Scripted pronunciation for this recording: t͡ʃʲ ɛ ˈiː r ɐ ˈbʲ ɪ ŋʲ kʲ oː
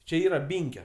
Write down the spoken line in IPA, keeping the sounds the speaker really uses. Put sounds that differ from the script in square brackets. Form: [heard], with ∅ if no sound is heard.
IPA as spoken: t͡ʃʲ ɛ ˈiː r ɐ ˈbʲ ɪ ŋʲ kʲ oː